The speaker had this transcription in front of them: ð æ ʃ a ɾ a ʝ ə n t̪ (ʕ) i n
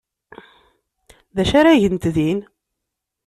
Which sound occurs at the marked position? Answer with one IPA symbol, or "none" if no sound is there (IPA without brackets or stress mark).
ð